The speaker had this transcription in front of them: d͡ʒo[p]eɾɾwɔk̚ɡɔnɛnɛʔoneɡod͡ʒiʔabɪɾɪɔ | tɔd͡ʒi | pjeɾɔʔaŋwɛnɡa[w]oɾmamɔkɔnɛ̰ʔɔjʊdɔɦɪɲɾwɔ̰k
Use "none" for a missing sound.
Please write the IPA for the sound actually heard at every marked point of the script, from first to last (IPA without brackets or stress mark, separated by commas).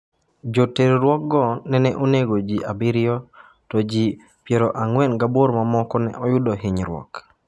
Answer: t, b